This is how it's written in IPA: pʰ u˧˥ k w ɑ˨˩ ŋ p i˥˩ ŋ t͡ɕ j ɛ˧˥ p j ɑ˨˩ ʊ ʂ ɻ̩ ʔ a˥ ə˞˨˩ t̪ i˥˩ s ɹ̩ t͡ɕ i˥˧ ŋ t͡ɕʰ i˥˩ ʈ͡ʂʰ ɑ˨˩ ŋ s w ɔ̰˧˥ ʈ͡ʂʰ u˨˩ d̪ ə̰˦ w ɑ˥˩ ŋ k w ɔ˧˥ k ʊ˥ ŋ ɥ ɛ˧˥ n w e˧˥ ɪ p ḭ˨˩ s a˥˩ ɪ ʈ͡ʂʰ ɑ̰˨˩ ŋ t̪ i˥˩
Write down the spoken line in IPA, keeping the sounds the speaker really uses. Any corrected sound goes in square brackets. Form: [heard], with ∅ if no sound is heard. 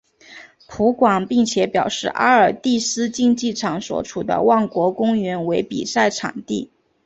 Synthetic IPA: pʰ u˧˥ k w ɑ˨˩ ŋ p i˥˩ ŋ [t͡ɕʰ] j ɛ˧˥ p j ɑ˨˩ ʊ ʂ ɻ̩ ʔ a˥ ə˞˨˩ t̪ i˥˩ s ɹ̩ t͡ɕ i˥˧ ŋ [t͡ɕ] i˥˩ ʈ͡ʂʰ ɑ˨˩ ŋ s w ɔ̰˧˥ ʈ͡ʂʰ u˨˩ d̪ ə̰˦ w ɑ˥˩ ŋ k w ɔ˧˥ k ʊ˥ ŋ ɥ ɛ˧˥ n w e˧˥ ɪ p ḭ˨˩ s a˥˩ ɪ ʈ͡ʂʰ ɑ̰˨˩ ŋ t̪ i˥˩